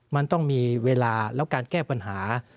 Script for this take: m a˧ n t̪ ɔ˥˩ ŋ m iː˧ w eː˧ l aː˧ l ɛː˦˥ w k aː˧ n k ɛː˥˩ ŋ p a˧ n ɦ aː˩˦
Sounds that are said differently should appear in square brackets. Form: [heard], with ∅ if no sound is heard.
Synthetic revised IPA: m a˧ n t̪ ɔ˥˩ ŋ m iː˧ w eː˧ l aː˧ l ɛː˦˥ w k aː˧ n k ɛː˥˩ [∅] p a˧ n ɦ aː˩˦

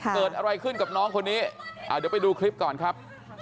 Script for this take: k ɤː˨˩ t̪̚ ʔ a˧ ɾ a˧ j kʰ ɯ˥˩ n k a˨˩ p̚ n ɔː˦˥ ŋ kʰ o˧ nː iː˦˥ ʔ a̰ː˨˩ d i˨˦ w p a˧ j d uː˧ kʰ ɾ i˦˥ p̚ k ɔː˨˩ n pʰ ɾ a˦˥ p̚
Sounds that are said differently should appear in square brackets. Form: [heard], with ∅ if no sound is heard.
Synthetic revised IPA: k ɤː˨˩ t̪̚ ʔ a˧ ɾ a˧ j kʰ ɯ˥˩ n k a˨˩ p̚ n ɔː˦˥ ŋ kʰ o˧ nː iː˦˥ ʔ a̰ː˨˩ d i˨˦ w p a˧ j d uː˧ kʰ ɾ i˦˥ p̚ k ɔː˨˩ n [kʰ] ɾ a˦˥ p̚

